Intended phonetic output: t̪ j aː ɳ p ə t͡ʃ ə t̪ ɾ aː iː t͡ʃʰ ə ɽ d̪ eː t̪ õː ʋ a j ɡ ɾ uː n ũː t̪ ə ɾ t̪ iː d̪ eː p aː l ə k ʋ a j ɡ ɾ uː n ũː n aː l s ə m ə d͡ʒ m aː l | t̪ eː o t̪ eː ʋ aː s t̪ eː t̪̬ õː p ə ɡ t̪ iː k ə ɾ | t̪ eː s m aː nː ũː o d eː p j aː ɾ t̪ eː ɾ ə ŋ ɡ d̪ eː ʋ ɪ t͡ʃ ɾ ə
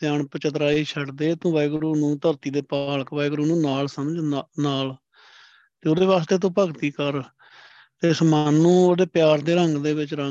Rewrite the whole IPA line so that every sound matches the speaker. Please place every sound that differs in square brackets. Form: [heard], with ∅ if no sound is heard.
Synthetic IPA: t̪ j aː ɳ p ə t͡ʃ ə t̪ ɾ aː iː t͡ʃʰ ə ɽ d̪ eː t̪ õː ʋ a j ɡ ɾ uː n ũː t̪ ə ɾ t̪ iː d̪ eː p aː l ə k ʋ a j ɡ ɾ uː n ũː n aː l s ə m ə d͡ʒ [n] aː l | t̪ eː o [d̪] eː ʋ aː s t̪ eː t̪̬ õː p ə ɡ t̪ iː k ə ɾ | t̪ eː s m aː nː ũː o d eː p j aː ɾ [d̪] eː ɾ ə ŋ ɡ d̪ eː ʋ ɪ t͡ʃ ɾ ə